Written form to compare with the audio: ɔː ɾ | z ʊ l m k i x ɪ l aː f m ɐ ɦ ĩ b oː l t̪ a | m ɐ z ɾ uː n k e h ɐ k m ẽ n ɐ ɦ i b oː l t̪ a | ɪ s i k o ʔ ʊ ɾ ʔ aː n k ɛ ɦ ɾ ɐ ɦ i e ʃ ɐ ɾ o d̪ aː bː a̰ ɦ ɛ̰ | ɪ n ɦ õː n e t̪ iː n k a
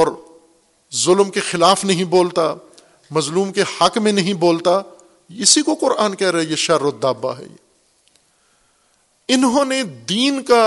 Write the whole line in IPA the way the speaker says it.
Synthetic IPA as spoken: ɔː ɾ | z ʊ l m k e x ɪ l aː f n ɐ ɦ ĩ b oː l t̪ a | m ɐ z l uː m k e h ɐ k m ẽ n ɐ ɦ ĩ b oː l t̪ a | ɪ s i k o q ʊ ɾ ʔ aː n k ɛ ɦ ɾ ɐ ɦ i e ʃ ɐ ɾ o d̪ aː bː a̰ ɦ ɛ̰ | ɪ n ɦ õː n e d̪ iː n k a